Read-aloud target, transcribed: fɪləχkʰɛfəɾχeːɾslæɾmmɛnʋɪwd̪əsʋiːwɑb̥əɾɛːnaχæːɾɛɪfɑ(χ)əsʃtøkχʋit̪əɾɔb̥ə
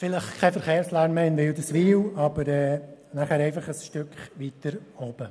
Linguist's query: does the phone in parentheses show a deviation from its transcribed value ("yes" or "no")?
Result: no